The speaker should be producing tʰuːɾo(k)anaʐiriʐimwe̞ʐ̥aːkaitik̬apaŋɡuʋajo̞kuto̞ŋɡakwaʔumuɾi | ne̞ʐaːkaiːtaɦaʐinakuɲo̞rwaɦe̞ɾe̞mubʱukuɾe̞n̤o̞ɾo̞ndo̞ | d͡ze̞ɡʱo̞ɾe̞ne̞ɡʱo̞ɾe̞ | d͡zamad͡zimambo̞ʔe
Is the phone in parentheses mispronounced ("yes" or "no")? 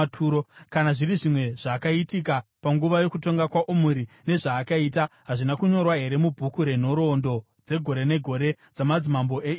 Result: no